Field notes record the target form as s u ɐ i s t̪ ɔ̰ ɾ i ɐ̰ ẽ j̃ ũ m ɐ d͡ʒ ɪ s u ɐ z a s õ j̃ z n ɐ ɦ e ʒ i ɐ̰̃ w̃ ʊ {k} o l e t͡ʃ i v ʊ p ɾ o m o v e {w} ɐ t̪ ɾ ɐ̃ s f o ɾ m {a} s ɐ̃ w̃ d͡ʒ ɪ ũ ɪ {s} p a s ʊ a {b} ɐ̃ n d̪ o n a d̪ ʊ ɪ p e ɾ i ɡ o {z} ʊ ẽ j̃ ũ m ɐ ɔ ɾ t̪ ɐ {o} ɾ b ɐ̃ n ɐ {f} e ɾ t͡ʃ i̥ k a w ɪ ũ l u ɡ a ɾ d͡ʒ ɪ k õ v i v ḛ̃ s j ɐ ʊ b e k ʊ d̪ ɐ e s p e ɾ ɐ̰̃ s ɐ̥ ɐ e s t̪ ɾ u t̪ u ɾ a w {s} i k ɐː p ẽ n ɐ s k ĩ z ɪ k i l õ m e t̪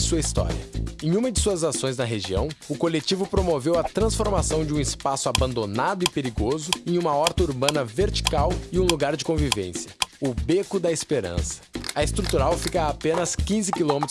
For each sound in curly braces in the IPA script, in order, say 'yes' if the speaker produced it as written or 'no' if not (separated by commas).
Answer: yes, yes, yes, yes, yes, yes, no, no, no